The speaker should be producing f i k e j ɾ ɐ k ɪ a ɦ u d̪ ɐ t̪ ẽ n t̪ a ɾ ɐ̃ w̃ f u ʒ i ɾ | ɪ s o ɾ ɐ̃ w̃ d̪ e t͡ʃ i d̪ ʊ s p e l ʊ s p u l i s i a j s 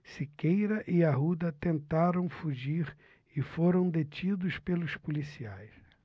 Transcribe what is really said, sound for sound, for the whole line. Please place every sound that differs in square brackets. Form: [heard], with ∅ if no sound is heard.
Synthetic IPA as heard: [s] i k e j ɾ ɐ [ʔ] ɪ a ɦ u d̪ ɐ t̪ ẽ n t̪ a ɾ ɐ̃ w̃ f u ʒ i ɾ | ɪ [f] o ɾ ɐ̃ w̃ d̪ e t͡ʃ i d̪ ʊ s p e l ʊ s p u l i s i a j s